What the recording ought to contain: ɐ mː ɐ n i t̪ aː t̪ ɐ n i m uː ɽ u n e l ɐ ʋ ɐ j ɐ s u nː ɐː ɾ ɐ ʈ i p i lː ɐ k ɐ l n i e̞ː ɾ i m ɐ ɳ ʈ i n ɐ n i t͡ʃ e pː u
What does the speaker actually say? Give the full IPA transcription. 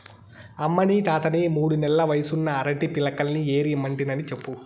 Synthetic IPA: ɐ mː ɐ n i t̪ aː t̪ ɐ n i m uː ɽ u n ɛ l ɐ ʋ ɐ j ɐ s u nː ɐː ɾ ɐ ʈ i p i l ɐ k ɐ l n i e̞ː ɾ i m ɐ ɳ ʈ i n ɐ n i t͡ʃ e pː u